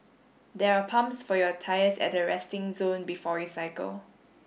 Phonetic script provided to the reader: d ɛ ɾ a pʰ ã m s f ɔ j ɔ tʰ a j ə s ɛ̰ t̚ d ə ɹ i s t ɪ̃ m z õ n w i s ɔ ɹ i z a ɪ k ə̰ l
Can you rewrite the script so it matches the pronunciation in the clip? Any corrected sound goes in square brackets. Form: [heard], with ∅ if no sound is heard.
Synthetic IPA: d ɛ [ɹ] a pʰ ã m s f ɔ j ɔ tʰ a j ə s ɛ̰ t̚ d ə ɹ [ɛ] s t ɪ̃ [ŋ] z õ n [b] i [f] ɔ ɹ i [s] a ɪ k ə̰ l